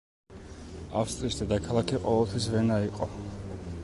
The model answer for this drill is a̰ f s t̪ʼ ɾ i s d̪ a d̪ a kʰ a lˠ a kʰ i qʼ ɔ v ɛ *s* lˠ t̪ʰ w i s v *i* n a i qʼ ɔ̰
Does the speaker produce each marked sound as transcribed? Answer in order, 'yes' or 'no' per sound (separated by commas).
no, no